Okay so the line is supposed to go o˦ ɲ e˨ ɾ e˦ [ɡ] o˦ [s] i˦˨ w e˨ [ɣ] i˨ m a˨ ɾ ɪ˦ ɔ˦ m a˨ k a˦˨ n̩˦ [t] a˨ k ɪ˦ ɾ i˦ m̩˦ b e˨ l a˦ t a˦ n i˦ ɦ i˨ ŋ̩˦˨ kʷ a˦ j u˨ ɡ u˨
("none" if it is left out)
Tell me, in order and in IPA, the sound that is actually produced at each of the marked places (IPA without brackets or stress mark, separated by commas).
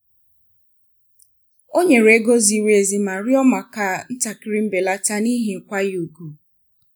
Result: ɡ, z, z, t